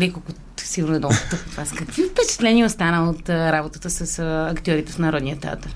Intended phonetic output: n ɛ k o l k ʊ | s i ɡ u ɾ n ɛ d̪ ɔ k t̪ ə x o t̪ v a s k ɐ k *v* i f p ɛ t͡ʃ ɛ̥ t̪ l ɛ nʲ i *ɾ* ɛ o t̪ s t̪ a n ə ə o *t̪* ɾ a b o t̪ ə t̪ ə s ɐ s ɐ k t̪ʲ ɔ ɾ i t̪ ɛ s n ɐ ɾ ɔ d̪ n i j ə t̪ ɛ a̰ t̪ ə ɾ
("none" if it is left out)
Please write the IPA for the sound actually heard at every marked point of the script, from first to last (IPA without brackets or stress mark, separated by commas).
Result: v, none, t̪